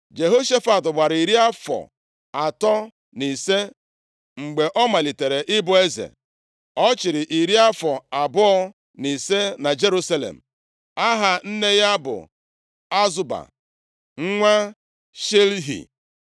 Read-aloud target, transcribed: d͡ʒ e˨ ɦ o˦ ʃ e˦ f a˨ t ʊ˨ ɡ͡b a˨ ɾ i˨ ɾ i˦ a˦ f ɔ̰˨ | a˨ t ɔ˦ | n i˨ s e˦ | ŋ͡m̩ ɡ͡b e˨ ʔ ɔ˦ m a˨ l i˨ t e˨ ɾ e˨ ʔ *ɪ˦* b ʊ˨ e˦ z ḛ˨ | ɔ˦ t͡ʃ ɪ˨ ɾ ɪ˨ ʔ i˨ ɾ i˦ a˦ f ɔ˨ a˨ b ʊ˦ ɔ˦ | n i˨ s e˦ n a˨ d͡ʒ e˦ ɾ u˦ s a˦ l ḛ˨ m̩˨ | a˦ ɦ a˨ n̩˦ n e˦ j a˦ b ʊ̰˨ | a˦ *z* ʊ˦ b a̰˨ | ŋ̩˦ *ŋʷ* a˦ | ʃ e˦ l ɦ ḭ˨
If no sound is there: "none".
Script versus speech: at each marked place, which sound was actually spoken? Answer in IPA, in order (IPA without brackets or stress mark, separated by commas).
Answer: ɪ˦, z, ŋʷ